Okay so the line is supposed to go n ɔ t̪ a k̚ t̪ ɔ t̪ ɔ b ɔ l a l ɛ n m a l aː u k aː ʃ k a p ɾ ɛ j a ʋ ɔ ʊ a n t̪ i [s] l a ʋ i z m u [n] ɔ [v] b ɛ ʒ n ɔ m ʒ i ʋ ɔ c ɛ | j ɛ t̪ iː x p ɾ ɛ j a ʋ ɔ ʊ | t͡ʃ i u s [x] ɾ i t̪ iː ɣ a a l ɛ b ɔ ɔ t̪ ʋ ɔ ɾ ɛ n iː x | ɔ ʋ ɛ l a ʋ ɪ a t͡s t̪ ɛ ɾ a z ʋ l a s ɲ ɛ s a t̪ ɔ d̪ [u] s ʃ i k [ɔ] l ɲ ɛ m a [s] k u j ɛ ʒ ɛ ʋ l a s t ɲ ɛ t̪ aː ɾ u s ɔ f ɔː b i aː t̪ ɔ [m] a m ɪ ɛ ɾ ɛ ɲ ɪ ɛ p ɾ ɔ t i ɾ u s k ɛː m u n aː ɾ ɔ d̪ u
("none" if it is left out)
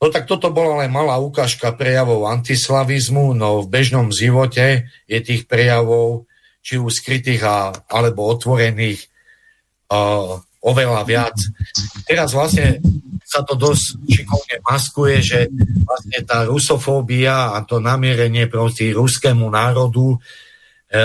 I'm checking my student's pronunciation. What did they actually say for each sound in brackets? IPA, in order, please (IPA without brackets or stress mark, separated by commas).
s, n, v, k, ɔ, ɔ, s, n